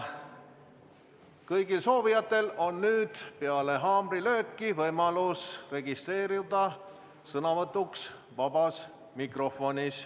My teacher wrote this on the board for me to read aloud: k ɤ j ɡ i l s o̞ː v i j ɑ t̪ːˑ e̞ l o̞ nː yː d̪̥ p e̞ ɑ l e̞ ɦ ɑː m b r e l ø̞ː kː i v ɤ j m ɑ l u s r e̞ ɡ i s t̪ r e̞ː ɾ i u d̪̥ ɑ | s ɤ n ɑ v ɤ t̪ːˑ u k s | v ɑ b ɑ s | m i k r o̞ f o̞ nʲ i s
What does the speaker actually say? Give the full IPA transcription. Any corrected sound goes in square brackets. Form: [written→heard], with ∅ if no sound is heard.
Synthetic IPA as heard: k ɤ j ɡ i l s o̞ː v i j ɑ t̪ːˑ e̞ l o̞ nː yː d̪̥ p e̞ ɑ l e̞ ɦ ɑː m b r [e→i] l ø̞ː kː i v ɤ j m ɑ l u s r e̞ ɡ i s t̪ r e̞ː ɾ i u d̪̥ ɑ | s ɤ n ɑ v ɤ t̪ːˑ u k s | v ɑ b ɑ s | m i k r o̞ f o̞ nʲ i s